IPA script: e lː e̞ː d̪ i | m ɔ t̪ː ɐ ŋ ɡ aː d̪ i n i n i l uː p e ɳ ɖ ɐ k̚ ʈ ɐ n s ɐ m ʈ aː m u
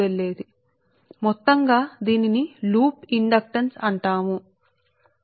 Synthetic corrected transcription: e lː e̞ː d̪ i | m ɔ t̪ː ɐ ŋ ɡ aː d̪ iː n i n i l uː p i ɳ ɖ ɐ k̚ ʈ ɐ n s ɐ ɳ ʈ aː m u